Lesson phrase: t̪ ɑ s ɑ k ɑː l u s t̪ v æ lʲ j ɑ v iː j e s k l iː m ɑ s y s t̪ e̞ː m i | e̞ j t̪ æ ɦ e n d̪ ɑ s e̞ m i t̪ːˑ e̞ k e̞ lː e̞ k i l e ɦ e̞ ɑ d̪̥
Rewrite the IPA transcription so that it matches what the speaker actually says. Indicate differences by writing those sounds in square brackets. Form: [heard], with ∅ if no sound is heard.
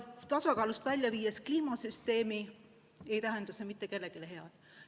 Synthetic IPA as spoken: t̪ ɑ s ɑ k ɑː l u s t̪ v æ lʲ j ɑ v iː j e s k l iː m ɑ s y s t̪ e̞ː m i | e̞ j t̪ æ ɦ e n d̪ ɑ s e̞ m i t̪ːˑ e̞ k e̞ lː e̞ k i l e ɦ e̞ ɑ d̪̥